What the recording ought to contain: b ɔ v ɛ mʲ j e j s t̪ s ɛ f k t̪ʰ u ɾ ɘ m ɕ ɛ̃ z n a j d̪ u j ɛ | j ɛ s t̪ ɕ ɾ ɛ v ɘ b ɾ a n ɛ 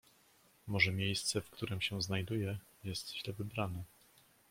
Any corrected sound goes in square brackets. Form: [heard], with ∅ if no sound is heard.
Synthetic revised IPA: [m] ɔ [ʐ] ɛ mʲ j e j s t̪ s ɛ f k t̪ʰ u ɾ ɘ m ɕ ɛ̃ z n a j d̪ u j ɛ | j ɛ s t̪ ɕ [l] ɛ v ɘ b ɾ a n ɛ